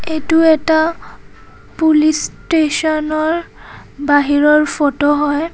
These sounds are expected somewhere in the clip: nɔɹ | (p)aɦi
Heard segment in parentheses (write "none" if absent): b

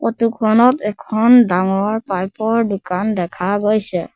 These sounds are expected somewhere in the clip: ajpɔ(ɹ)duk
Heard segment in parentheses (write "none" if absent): ɹ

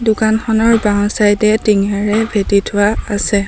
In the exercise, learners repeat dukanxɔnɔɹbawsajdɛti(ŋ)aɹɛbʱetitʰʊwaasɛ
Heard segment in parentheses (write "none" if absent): ŋ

